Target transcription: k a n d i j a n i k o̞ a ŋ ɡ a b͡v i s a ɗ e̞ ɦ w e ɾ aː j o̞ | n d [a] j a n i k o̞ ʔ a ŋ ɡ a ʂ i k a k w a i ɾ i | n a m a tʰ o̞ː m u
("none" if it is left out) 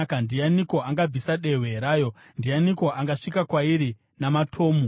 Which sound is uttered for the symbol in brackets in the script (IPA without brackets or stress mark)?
i